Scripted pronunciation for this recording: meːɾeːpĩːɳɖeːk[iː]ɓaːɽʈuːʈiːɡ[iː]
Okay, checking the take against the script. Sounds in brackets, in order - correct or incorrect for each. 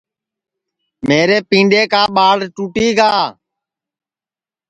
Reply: incorrect, incorrect

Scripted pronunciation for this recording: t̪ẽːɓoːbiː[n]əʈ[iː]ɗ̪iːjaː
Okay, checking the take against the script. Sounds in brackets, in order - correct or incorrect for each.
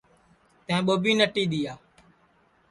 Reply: correct, correct

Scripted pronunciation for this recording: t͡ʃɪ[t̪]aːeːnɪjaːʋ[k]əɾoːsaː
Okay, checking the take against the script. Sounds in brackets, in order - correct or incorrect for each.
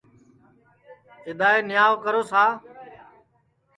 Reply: incorrect, correct

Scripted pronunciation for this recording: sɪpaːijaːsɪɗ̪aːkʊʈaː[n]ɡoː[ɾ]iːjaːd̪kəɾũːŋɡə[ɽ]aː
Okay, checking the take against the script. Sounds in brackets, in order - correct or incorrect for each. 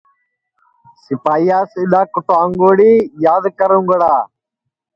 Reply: incorrect, incorrect, correct

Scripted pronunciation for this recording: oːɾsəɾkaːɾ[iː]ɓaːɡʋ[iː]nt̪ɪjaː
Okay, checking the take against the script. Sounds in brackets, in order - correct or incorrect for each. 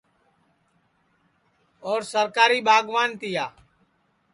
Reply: correct, incorrect

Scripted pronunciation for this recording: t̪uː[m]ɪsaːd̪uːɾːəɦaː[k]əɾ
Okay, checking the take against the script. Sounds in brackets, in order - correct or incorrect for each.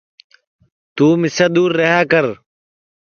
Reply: correct, correct

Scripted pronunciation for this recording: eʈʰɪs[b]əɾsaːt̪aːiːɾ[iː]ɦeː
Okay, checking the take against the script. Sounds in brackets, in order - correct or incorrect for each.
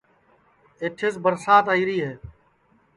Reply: correct, correct

